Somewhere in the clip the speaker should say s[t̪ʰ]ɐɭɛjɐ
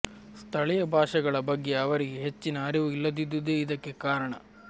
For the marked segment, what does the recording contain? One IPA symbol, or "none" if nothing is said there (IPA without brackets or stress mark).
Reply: t̪ʰ